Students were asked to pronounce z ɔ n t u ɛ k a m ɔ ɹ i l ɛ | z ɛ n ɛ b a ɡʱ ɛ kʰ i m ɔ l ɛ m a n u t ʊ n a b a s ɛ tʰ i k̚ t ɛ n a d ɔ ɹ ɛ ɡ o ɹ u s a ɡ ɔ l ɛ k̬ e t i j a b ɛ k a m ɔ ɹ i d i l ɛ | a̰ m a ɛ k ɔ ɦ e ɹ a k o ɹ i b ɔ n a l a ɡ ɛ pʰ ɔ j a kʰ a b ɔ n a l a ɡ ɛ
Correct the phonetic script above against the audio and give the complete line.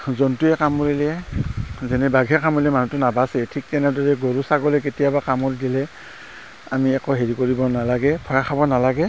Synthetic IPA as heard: z ɔ n t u ɛ k a m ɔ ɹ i l ɛ | z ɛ n ɛ b a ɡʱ ɛ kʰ a m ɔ l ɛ m a n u t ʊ n a b a s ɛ tʰ i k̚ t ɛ n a d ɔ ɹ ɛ ɡ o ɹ u s a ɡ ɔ l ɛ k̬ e t i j a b a k a m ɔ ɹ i d i l ɛ | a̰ m i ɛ k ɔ ɦ e ɹ i k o ɹ i b ɔ n a l a ɡ ɛ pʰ ɔ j a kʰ a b ɔ n a l a ɡ ɛ